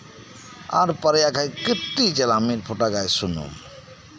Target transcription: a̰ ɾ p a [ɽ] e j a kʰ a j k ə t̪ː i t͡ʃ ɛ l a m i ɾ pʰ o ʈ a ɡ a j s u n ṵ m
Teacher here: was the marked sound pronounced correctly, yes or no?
no